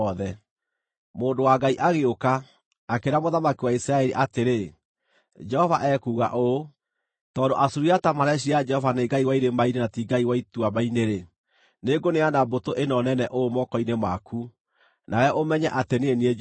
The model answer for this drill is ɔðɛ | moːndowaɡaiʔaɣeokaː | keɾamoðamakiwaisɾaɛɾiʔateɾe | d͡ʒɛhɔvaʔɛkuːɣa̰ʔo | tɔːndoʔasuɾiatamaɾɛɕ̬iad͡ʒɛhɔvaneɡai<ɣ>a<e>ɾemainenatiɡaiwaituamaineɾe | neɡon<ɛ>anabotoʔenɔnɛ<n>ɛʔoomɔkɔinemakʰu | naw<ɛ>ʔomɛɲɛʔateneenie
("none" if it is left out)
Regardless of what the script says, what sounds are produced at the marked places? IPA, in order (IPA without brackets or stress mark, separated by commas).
w, i, e, n, ɛ